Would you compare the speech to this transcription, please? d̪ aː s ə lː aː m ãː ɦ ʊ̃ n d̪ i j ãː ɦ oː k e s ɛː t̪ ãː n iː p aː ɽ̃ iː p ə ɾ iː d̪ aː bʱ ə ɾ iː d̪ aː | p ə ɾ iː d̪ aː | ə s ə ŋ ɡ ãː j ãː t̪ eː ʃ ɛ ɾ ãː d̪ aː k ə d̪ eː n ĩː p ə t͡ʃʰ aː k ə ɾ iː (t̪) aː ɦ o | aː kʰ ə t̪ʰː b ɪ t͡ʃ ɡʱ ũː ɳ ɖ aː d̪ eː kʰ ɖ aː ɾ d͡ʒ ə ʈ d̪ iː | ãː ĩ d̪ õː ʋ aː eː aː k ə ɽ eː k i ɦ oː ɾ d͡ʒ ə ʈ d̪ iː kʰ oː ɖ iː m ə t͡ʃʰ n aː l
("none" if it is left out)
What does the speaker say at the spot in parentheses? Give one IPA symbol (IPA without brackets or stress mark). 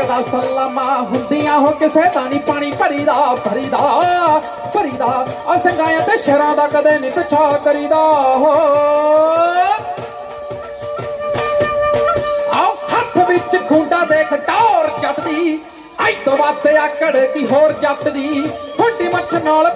d̪